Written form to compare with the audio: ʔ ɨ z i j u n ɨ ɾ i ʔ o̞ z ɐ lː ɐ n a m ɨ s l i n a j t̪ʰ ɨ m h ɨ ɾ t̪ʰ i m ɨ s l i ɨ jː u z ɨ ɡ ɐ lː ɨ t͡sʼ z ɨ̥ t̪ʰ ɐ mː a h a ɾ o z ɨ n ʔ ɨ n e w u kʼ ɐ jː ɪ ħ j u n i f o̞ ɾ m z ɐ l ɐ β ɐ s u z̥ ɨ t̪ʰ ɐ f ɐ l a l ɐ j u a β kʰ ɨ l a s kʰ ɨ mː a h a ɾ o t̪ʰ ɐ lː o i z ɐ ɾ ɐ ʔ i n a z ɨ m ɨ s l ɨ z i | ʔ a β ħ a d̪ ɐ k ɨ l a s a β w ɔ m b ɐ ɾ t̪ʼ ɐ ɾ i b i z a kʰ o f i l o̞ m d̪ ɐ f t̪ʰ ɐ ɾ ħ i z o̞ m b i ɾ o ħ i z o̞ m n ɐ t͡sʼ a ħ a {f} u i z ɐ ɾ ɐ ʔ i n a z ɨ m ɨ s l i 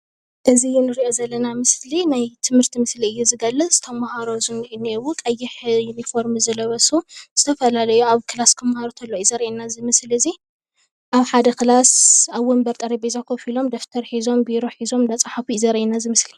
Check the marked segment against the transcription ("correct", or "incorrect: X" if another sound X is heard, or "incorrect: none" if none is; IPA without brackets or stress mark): correct